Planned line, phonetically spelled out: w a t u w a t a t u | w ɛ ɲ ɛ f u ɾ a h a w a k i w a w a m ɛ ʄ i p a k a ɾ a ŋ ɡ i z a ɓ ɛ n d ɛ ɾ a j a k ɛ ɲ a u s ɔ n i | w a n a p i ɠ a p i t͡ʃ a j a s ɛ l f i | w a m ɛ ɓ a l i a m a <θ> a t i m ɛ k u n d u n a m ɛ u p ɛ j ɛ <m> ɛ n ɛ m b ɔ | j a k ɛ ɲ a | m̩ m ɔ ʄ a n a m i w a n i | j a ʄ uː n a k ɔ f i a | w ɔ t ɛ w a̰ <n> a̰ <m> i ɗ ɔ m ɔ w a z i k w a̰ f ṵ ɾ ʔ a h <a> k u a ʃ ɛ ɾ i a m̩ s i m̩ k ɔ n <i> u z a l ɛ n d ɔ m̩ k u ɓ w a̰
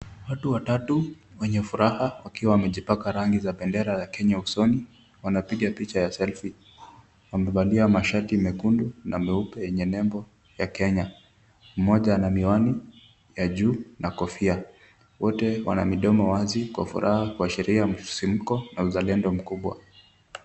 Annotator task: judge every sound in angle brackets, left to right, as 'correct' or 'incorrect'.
incorrect, incorrect, correct, correct, correct, incorrect

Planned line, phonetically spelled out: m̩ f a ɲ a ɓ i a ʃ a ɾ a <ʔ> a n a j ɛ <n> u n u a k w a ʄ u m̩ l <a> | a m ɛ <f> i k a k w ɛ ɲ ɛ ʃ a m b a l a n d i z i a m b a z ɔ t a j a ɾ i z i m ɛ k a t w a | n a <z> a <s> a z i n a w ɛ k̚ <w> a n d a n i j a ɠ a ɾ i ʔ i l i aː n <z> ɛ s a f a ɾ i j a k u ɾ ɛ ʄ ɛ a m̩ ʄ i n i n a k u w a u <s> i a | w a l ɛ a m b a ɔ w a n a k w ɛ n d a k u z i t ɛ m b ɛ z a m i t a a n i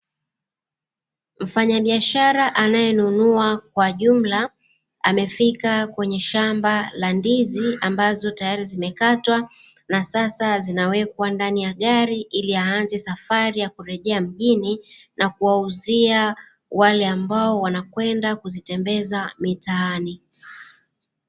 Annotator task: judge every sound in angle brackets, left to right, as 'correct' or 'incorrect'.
correct, correct, correct, correct, incorrect, correct, correct, correct, incorrect

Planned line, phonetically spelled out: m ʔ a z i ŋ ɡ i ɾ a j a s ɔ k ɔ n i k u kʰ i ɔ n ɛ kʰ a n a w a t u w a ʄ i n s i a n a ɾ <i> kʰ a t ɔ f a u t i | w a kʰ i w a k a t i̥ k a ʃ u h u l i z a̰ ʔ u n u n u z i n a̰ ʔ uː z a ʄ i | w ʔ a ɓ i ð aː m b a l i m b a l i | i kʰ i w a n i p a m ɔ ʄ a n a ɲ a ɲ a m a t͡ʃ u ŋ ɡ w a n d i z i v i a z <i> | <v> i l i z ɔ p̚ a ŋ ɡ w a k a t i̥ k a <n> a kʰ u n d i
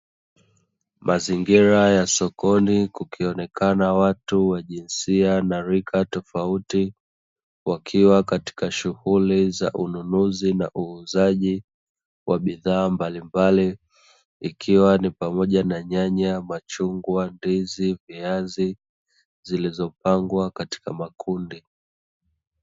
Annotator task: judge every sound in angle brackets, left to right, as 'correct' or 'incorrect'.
correct, correct, incorrect, incorrect

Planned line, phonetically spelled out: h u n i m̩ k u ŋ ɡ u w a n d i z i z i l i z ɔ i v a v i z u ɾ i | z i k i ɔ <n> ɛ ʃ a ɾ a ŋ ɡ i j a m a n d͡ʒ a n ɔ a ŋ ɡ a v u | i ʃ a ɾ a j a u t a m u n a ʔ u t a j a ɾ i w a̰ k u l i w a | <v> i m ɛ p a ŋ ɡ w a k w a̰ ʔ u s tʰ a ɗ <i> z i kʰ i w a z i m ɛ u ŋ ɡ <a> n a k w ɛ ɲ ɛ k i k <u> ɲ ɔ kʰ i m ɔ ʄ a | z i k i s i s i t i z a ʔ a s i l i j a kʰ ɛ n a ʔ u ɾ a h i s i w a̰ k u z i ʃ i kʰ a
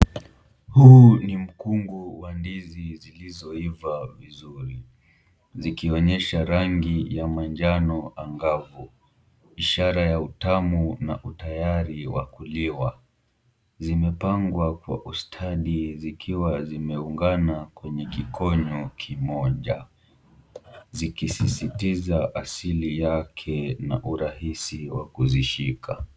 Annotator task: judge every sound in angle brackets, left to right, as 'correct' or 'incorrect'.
incorrect, incorrect, correct, correct, incorrect

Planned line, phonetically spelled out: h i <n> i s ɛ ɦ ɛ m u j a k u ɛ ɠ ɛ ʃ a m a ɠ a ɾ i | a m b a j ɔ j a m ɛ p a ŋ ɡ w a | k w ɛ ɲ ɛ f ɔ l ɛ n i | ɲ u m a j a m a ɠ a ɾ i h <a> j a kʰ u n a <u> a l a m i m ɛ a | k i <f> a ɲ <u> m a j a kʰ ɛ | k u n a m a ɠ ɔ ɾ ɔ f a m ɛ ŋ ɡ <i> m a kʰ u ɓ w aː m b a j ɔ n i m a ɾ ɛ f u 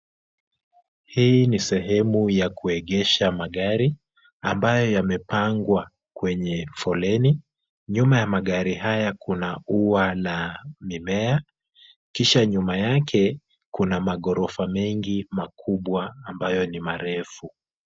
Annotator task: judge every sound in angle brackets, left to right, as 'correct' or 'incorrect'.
correct, correct, correct, incorrect, correct, correct

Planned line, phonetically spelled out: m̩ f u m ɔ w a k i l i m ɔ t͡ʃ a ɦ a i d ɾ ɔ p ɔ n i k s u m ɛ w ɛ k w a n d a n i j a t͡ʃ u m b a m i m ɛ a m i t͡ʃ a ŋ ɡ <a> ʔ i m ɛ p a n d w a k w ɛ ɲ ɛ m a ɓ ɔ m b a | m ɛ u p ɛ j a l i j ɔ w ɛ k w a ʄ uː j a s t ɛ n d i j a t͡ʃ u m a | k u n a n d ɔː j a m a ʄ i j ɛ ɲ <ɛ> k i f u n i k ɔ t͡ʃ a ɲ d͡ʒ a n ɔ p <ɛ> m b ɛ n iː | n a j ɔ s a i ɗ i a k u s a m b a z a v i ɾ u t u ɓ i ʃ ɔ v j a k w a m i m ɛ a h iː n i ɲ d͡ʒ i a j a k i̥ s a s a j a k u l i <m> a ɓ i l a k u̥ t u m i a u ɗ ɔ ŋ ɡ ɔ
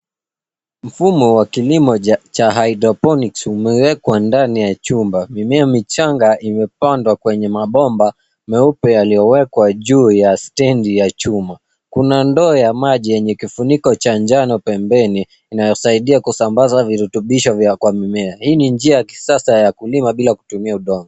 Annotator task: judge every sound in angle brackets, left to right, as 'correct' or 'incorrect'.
correct, correct, correct, correct

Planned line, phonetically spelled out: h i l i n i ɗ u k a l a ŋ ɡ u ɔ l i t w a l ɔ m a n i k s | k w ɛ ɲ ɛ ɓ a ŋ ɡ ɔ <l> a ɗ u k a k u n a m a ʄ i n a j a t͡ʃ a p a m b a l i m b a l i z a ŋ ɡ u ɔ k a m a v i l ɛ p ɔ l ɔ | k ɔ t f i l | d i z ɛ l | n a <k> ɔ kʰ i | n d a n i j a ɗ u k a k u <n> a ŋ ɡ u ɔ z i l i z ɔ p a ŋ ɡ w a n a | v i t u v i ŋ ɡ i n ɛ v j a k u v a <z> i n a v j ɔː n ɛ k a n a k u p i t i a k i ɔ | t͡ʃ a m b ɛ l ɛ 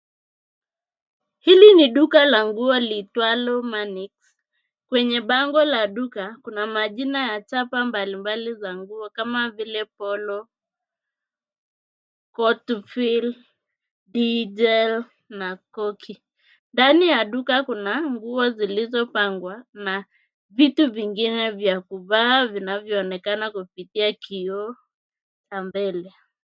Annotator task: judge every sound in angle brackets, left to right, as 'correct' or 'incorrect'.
correct, correct, correct, incorrect

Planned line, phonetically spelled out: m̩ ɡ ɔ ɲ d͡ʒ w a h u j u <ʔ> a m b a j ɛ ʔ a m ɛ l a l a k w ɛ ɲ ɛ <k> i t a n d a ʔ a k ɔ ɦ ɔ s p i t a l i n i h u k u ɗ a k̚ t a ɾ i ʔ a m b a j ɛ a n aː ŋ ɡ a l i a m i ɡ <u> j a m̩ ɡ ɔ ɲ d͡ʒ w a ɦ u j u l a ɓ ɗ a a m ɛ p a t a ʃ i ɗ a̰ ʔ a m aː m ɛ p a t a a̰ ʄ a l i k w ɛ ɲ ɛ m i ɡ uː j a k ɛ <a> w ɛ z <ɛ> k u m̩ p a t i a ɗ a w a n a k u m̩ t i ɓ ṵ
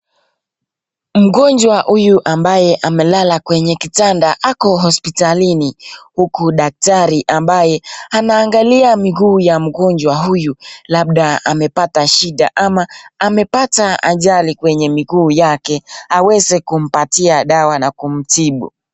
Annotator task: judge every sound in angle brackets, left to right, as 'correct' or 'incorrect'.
correct, correct, incorrect, correct, correct

